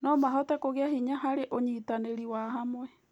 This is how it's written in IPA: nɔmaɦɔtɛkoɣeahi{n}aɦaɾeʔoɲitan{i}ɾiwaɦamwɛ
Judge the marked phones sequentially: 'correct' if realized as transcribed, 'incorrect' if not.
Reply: incorrect: ɲ, incorrect: e

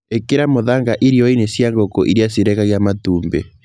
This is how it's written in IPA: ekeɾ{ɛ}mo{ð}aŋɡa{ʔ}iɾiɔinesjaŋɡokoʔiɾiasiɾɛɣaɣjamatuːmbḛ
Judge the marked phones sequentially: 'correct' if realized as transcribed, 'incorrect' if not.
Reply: incorrect: a, correct, correct

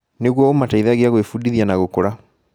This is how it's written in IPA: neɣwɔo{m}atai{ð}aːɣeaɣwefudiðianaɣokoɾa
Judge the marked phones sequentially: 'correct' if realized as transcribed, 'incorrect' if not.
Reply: correct, correct

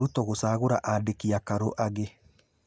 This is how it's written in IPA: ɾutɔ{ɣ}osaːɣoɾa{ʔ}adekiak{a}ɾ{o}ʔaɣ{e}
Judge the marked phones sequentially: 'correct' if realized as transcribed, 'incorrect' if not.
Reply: correct, correct, correct, correct, correct

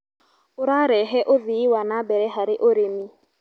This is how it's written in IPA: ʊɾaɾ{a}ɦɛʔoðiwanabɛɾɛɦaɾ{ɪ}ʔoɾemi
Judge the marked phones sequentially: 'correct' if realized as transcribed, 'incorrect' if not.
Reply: incorrect: ɛ, correct

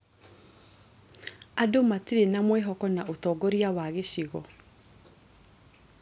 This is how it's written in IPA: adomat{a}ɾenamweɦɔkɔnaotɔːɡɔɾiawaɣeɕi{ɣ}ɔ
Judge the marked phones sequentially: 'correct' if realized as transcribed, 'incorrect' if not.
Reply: incorrect: i, correct

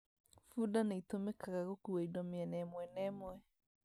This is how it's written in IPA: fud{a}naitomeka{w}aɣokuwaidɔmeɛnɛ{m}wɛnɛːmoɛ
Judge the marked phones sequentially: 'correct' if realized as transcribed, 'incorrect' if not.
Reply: correct, incorrect: ɣ, correct

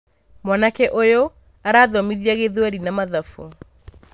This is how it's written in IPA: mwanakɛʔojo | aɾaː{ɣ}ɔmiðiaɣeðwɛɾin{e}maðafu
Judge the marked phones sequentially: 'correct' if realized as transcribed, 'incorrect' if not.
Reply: incorrect: ð, incorrect: a

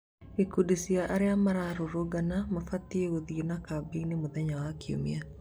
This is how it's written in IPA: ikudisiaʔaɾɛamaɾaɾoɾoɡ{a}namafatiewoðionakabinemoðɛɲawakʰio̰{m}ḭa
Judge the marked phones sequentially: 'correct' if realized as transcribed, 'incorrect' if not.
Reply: correct, correct

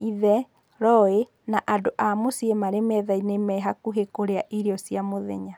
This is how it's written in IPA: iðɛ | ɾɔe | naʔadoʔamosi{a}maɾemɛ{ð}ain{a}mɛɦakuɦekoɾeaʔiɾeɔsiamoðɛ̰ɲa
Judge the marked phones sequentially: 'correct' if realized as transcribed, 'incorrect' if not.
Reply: incorrect: e, correct, incorrect: e

